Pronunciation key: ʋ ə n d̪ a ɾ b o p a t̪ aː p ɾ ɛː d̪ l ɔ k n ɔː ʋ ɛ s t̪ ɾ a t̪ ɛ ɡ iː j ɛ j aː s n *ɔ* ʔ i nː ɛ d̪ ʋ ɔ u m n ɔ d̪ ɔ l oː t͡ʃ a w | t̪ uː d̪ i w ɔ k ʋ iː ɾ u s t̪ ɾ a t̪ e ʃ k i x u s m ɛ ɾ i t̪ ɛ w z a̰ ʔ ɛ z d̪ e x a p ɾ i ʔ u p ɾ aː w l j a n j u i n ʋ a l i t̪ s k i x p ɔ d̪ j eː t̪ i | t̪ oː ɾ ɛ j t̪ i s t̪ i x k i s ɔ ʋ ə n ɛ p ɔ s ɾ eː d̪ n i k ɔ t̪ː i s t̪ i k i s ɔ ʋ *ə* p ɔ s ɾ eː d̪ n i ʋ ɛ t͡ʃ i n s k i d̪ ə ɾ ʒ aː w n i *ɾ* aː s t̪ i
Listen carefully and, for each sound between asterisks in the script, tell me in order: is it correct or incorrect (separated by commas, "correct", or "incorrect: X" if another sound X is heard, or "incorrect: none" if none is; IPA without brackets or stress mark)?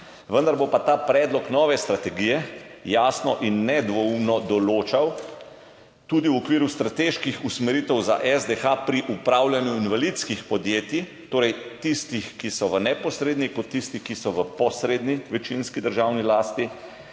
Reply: correct, correct, incorrect: l